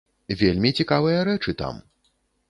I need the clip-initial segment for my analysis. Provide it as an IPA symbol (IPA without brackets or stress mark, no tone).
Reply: vʲ